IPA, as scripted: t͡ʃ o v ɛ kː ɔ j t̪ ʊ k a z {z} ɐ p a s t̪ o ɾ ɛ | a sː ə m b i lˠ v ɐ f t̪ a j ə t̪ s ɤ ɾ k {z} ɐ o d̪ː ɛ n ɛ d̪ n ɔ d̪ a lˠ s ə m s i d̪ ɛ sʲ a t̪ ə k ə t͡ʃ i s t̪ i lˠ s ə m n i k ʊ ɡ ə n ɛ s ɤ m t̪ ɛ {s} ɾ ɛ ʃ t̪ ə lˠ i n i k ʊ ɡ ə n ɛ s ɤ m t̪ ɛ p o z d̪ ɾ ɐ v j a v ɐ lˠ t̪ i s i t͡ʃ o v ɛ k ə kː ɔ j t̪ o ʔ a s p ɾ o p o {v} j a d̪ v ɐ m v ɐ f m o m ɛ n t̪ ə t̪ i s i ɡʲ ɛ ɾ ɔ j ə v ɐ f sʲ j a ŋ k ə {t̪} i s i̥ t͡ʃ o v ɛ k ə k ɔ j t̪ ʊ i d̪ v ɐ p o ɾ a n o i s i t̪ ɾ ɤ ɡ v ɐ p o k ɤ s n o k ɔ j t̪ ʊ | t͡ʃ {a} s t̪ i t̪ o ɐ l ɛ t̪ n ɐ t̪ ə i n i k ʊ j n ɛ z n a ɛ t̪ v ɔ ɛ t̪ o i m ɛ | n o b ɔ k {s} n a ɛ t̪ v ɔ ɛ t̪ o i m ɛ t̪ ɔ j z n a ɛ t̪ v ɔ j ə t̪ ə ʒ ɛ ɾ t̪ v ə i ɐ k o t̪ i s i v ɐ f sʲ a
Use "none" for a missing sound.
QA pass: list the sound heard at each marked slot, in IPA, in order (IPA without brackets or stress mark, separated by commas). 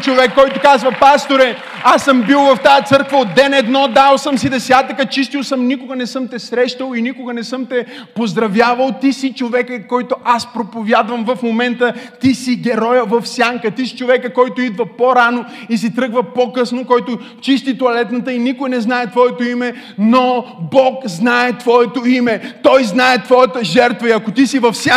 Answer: v, v, s, v, t̪, i, z